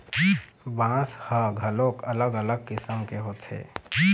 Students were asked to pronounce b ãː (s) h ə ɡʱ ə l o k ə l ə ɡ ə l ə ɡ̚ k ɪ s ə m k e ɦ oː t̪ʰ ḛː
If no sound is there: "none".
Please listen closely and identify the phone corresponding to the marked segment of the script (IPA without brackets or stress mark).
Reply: s